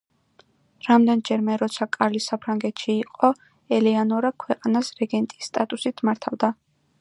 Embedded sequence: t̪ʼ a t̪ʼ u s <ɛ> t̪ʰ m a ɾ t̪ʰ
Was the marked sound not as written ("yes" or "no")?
yes